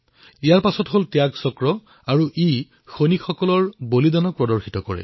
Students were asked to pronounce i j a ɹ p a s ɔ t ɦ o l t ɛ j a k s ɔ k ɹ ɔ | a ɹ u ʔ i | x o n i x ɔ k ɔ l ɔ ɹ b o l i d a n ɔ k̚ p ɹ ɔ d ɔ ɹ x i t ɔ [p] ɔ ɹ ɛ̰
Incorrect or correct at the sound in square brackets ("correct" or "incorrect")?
incorrect